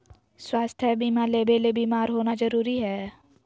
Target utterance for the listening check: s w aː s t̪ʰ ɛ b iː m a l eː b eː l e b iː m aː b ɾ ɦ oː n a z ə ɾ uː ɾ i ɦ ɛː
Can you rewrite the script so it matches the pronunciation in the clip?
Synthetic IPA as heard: s w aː s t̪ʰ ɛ b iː m a l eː b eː l e b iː m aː ɾ ɦ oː n a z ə ɾ uː ɾ i ɦ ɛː